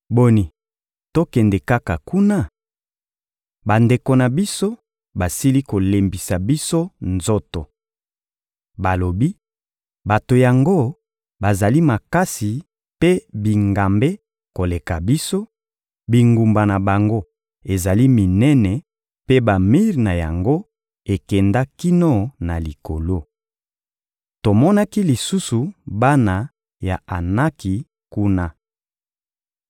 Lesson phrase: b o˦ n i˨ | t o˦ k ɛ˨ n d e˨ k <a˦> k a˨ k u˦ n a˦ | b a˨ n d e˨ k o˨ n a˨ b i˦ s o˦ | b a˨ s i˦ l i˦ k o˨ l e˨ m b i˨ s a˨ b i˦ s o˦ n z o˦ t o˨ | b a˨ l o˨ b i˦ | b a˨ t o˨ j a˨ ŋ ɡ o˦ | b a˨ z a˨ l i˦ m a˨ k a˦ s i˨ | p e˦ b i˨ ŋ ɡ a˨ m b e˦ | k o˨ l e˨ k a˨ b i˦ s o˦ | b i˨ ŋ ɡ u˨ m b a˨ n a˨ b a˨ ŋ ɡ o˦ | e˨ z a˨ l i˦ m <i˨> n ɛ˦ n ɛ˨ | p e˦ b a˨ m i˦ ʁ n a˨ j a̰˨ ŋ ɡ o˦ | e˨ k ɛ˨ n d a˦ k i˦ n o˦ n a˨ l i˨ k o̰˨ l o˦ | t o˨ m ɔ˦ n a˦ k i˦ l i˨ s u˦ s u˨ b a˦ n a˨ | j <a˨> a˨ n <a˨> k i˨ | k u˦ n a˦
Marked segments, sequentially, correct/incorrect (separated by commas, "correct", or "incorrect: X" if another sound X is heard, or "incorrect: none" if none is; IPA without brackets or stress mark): correct, correct, correct, incorrect: a˦